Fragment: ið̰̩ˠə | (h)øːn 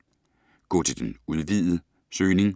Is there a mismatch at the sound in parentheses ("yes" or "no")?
yes